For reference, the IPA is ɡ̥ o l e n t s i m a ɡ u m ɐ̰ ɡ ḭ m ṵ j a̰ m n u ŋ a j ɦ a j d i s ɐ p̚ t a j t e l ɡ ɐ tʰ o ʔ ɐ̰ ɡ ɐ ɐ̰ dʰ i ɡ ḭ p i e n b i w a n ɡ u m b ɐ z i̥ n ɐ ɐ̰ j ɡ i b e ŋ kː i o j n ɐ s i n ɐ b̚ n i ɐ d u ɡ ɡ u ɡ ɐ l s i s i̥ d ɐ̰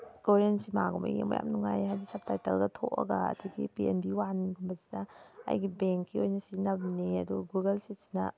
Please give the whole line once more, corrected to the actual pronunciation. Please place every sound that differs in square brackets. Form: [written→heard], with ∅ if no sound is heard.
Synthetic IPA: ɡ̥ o [l→ɾ] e n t s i m a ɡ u m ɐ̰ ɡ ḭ m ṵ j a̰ m n u ŋ a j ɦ a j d i s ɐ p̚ t a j t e l ɡ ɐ tʰ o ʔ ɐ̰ ɡ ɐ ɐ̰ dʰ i ɡ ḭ p i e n b i w a n ɡ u m b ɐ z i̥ n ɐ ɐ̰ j ɡ i b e ŋ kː i o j n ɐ s i n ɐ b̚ n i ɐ d u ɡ ɡ u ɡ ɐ l s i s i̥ [d→n] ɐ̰